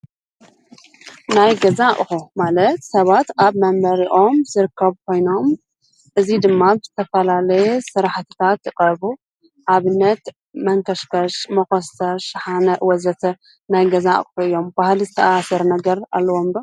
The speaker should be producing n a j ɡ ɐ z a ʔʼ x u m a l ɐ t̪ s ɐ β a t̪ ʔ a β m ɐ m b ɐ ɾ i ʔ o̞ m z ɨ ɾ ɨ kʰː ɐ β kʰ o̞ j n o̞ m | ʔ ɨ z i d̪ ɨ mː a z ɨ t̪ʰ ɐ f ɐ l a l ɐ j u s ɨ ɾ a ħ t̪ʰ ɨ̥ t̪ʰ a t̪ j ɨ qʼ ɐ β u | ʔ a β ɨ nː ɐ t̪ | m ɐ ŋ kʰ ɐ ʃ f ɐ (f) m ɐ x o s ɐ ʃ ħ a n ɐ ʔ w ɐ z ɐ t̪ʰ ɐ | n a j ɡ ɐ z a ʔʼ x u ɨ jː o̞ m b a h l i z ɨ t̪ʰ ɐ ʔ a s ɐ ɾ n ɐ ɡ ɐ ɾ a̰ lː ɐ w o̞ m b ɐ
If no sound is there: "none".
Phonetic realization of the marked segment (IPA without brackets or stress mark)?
ʃ